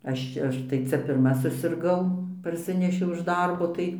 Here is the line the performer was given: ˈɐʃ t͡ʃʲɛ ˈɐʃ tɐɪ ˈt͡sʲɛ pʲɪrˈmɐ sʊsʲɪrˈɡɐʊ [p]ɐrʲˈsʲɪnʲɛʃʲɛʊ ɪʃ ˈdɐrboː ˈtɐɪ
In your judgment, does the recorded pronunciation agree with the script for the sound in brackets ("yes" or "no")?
yes